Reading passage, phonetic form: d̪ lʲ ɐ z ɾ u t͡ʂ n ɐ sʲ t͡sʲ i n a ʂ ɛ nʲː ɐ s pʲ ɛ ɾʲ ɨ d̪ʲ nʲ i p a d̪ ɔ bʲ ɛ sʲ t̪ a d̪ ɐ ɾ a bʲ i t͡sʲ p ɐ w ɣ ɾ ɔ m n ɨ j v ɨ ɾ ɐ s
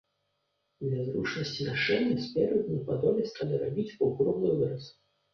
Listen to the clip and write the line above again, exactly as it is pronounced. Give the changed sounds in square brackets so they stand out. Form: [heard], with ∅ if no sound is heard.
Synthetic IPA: d̪ lʲ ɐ z ɾ u t͡ʂ n ɐ sʲ t͡sʲ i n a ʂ ɛ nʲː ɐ s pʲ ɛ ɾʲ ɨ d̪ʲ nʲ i p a d̪ ɔ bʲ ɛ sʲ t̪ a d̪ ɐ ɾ a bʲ i t͡sʲ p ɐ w ɣ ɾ ɔ m n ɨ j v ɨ ɾ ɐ s